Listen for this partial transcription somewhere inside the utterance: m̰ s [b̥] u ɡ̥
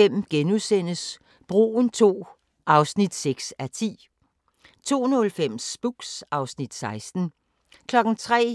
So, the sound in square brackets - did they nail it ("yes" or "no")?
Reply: yes